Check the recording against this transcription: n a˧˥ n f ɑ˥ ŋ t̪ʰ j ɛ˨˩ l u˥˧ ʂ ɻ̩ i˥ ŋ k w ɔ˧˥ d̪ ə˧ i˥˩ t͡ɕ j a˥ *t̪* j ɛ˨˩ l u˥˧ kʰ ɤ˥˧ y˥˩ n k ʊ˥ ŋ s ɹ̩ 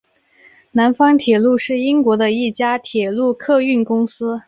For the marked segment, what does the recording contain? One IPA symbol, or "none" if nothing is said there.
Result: t̪ʰ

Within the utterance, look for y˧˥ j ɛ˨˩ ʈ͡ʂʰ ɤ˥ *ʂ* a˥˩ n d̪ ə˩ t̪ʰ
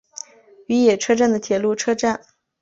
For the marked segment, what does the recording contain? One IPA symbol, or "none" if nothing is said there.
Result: ʈ͡ʂ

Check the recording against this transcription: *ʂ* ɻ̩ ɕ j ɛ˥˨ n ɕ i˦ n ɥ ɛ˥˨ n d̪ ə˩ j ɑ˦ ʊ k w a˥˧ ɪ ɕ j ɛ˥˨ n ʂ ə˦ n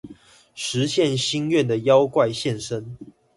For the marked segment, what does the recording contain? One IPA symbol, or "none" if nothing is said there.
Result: ʂ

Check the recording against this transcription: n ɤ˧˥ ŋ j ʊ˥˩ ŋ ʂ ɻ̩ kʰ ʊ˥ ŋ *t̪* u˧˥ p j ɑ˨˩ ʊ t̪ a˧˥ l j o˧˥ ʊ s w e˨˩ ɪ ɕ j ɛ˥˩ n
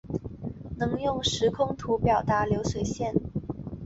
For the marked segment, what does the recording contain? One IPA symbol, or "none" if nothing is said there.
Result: t̪ʰ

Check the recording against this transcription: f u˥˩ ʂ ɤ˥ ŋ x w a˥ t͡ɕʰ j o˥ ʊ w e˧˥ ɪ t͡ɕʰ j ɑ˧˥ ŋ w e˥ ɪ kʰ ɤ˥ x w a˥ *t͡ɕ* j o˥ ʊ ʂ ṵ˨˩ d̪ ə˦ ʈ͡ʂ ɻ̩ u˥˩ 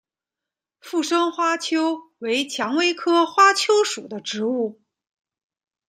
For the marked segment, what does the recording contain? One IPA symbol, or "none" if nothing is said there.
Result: t͡ɕʰ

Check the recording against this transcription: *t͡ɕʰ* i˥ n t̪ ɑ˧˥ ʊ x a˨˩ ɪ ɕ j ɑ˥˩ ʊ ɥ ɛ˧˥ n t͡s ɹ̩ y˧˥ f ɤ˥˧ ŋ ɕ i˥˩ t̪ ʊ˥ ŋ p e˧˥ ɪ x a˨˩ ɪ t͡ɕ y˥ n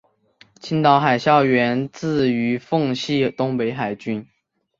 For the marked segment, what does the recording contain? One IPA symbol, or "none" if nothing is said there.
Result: t͡ɕʰ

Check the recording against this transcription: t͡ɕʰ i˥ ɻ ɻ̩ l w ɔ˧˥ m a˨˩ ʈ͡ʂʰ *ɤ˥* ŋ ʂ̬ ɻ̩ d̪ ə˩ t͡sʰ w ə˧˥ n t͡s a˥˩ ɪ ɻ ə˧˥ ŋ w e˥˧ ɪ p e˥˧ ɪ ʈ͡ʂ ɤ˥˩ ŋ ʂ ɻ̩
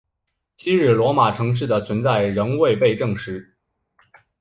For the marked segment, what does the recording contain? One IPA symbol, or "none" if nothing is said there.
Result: ɤ˧˥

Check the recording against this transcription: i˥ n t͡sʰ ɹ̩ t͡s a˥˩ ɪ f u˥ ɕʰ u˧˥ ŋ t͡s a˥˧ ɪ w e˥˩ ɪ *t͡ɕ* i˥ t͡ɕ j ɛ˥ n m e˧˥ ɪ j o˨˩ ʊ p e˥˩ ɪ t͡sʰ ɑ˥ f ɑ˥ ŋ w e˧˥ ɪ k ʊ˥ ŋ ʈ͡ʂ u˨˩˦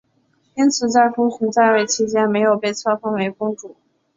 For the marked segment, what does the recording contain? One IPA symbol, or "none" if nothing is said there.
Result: t͡ɕʰ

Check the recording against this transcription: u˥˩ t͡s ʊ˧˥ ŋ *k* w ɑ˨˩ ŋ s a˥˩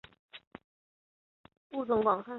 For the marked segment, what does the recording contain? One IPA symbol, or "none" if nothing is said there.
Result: k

